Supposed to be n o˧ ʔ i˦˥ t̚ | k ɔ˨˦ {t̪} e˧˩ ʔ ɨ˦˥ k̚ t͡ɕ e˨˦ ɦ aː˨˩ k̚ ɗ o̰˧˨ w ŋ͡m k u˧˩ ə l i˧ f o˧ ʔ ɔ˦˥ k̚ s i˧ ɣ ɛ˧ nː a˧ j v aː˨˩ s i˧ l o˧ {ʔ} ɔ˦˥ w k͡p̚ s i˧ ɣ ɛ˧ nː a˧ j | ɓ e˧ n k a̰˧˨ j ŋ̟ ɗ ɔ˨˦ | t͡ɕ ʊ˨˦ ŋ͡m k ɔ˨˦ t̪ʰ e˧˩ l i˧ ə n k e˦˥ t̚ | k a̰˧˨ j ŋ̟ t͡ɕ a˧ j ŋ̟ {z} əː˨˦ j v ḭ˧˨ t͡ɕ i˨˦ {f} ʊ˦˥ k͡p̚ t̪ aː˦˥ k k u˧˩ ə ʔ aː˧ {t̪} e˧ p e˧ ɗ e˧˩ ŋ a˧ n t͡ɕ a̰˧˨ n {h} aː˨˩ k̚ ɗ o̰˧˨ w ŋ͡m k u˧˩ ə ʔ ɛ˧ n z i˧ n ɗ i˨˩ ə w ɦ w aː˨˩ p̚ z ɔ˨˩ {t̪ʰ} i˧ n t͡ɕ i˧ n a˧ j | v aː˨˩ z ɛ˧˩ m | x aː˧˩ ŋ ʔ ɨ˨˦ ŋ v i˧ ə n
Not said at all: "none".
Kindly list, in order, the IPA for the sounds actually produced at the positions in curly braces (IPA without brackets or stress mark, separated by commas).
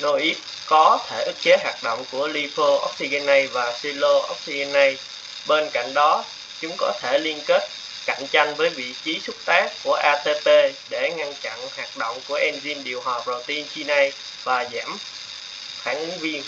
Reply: t̪ʰ, ʔ, v, s, t̪, h, t̪